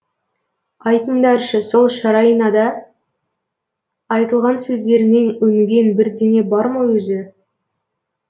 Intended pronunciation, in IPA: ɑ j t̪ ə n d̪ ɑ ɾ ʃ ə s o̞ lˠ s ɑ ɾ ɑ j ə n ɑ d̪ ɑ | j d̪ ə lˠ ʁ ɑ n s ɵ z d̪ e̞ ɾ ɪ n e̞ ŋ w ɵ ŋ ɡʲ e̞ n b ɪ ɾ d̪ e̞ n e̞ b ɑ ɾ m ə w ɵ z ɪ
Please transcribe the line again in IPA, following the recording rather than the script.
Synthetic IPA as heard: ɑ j t̪ ə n d̪ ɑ ɾ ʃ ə s o̞ lˠ ʃ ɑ ɾ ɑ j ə n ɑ d̪ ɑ | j t̪ ə lˠ ʁ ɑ n s ɵ z d̪ e̞ ɾ ɪ n e̞ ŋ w ɵ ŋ ɡʲ e̞ n b ɪ ɾ d̪ e̞ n e̞ b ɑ ɾ m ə w ɵ z ɪ